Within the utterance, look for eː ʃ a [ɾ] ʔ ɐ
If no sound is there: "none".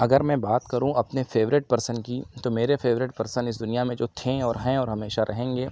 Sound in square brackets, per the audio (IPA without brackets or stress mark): ɾ